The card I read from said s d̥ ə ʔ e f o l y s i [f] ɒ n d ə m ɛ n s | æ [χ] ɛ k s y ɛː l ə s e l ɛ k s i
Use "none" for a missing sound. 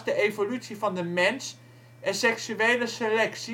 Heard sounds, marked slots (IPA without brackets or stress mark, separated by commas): f, s